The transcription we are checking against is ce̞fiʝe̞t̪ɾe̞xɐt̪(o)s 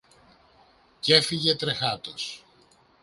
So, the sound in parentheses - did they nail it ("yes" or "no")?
yes